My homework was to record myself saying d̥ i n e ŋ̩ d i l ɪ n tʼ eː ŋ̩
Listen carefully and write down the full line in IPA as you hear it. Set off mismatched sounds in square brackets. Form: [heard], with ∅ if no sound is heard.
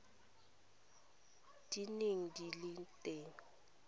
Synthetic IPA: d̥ i n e ŋ̩ d i l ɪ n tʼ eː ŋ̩

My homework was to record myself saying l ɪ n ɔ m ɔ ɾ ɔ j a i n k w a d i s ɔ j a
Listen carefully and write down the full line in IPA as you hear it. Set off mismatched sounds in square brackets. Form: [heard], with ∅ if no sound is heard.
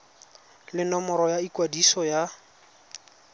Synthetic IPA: l ɪ n ɔ m ɔ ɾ ɔ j a i [∅] k w a d i s ɔ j a

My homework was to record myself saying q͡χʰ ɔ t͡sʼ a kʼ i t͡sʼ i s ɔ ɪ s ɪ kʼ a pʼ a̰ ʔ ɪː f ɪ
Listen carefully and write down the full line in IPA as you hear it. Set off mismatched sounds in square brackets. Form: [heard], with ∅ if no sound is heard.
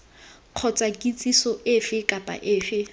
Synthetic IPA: q͡χʰ ɔ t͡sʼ a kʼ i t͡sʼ i s ɔ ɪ [f] ɪ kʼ a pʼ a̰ ʔ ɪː f ɪ

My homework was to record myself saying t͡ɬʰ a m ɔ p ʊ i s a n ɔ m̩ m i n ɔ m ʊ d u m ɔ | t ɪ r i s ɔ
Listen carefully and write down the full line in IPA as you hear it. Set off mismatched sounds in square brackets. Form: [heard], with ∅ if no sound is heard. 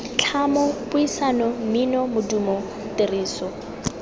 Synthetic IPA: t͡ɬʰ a m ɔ p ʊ i s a n ɔ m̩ m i n ɔ m ʊ d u m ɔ | t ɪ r [iː] s ɔ

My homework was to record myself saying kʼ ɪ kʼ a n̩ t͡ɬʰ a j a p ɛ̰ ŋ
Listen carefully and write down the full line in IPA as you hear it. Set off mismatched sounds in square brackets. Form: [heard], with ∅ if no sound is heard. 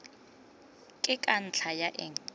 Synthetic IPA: kʼ ɪ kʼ a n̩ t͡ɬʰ a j a [ʔ] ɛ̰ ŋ

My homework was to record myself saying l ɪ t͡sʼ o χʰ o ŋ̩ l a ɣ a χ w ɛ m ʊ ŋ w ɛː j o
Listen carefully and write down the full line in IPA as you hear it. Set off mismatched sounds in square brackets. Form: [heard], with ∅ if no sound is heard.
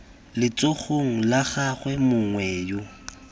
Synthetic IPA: l ɪ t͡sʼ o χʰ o ŋ̩ l a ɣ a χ w ɛ m ʊ ŋ w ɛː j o

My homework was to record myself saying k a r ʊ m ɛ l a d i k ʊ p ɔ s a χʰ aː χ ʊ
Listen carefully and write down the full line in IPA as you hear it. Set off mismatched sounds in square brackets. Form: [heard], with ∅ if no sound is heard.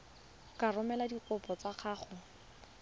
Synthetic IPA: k a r ʊ m ɛ l a d i k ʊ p ɔ [t͡s] a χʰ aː χ ʊ

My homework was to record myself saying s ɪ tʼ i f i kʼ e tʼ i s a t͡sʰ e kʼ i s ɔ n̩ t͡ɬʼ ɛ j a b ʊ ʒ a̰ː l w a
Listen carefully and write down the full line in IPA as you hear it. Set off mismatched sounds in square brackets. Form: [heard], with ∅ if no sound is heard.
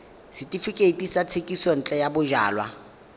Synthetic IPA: s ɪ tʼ i f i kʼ e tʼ i s a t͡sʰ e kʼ i s ɔ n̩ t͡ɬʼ ɛ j a b ʊ ʒ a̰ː l w a

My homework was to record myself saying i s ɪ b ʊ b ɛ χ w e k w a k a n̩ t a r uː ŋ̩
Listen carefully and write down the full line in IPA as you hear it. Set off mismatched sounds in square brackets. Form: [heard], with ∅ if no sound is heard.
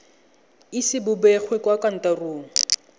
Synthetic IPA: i s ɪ b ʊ b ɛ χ w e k w a k a n̩ t a r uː ŋ̩

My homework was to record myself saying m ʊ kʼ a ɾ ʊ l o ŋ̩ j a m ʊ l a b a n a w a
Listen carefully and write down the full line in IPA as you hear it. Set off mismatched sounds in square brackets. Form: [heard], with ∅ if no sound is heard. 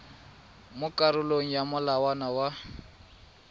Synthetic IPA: m ʊ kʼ a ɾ ʊ l o ŋ̩ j a m ʊ l a [w] a n a w a

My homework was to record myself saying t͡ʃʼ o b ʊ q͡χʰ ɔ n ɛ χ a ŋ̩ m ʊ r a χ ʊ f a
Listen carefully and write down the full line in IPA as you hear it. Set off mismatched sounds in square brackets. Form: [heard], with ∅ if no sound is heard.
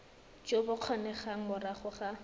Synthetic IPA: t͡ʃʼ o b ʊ q͡χʰ ɔ n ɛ χ a ŋ̩ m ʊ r a χ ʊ [χ] a

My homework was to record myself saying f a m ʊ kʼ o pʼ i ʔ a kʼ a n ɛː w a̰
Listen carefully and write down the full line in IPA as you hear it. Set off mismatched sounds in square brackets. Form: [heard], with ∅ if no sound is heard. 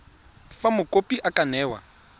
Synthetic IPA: f a m ʊ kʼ o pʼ i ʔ a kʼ a n ɛː w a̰

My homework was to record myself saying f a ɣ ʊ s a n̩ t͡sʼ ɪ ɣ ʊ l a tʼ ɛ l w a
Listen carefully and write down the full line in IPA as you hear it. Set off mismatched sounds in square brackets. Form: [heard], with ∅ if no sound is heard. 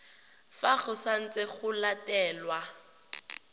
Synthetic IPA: f a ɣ ʊ s a n̩ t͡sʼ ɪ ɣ ʊ l a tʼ [ɛː] l w a

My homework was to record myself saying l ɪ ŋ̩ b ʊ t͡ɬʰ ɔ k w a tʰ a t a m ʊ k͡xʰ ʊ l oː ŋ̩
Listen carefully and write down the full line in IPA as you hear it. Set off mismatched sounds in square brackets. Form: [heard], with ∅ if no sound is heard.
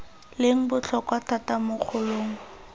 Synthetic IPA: l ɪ ŋ̩ b ʊ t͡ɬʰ ɔ k w a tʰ a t a m ʊ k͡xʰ ʊ l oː ŋ̩

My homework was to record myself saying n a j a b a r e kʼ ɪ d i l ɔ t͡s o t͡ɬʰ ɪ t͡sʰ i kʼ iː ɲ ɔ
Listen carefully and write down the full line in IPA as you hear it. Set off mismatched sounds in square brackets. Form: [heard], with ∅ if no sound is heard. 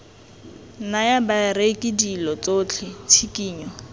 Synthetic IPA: n a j a b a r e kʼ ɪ d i l ɔ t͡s o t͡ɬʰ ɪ t͡sʰ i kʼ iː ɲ ɔ

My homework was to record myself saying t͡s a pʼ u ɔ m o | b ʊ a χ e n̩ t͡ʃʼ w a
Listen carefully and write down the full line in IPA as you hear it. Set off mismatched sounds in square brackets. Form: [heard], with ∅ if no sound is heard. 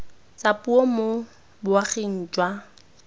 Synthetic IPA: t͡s a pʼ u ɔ m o | b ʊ a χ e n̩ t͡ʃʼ w a

